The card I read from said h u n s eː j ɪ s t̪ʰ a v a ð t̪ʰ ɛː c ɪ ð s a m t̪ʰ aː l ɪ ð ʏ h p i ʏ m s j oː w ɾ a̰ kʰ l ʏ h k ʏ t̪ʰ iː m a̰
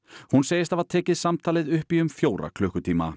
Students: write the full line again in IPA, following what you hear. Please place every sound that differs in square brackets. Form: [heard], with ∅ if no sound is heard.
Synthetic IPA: h u n s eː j ɪ s [t̪] a v a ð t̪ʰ ɛː c ɪ ð s a m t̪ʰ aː l ɪ ð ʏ h p i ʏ m [f] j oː w ɾ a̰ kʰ l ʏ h k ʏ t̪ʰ iː m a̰